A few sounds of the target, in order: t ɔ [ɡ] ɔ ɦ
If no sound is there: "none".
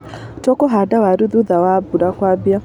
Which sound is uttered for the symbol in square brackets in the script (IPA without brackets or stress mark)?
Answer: k